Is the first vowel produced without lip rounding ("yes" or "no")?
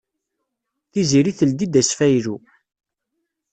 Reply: yes